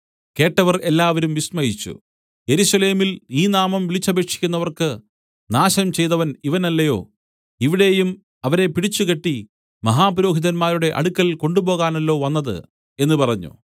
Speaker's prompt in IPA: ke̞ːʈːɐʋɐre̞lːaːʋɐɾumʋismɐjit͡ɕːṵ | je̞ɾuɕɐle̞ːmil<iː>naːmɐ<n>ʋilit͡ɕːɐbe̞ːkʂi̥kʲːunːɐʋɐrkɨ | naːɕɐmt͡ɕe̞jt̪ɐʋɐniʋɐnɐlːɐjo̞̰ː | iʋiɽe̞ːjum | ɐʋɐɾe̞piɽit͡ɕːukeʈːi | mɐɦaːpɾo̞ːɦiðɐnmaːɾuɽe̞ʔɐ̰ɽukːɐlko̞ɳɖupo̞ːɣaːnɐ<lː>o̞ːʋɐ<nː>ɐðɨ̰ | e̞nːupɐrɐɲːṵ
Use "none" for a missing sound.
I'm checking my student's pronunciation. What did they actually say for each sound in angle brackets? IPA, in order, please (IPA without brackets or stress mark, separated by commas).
iː, m, lː, nː